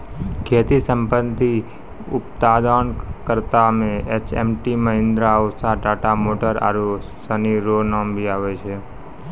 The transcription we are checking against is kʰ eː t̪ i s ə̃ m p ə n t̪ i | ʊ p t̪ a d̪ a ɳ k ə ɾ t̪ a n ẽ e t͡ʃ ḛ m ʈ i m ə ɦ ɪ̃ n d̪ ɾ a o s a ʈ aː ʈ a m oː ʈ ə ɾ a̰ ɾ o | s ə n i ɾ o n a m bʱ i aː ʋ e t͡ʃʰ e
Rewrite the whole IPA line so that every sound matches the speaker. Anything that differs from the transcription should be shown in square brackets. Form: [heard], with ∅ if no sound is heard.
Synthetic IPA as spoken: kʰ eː t̪ i s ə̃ m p ə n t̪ i | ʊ p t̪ a d̪ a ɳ k ə ɾ t̪ a [m] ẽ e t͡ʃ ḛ m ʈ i m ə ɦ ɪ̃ n d̪ ɾ a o s a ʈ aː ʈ a m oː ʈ ə ɾ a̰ ɾ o | s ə n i ɾ o n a m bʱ i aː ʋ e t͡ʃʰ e